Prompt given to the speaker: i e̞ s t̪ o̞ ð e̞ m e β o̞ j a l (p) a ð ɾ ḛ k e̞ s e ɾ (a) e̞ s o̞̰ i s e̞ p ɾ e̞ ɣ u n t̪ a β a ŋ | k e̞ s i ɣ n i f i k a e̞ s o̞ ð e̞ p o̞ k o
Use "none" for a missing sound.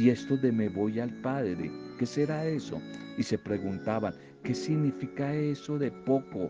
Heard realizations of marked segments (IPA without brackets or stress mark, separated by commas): p, a